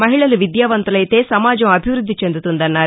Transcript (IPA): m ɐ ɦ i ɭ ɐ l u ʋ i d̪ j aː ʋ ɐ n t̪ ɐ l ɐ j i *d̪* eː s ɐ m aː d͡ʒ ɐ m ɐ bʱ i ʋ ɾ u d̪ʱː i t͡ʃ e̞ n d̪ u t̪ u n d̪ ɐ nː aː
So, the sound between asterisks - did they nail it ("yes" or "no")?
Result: no